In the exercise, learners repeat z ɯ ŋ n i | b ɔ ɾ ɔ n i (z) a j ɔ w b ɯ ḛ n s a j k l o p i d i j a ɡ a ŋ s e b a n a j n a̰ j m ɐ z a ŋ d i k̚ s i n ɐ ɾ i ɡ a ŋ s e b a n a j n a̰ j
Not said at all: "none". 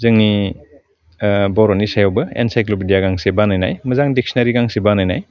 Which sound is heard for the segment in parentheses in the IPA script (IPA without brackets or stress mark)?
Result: s